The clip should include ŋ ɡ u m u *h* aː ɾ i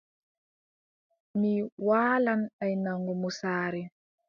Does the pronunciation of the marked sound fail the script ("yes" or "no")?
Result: yes